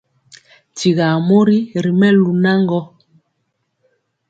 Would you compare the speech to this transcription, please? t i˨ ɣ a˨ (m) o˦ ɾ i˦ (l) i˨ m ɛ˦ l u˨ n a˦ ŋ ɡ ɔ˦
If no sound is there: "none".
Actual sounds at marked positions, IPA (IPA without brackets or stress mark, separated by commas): m, ɾ